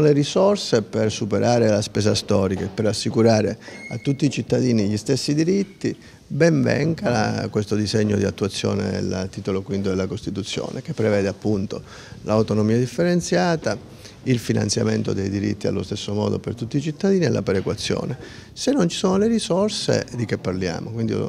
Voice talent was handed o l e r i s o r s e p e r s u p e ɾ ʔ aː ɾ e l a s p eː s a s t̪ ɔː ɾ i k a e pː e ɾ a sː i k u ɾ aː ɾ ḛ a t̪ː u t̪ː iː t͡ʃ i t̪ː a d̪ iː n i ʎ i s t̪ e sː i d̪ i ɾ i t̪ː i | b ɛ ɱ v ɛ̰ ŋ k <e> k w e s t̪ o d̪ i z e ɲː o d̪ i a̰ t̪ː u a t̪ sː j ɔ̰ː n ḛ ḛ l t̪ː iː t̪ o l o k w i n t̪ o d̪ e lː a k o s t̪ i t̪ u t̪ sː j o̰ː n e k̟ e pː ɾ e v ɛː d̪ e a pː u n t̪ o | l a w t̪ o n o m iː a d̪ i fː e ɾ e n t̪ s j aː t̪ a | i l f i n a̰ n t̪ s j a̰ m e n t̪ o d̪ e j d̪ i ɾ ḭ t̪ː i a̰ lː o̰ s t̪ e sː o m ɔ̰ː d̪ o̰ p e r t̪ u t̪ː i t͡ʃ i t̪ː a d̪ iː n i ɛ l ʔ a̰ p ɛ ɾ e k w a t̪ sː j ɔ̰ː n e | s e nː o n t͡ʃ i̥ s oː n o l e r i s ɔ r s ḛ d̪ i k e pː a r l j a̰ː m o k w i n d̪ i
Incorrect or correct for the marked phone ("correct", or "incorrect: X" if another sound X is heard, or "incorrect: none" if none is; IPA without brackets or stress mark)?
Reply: incorrect: a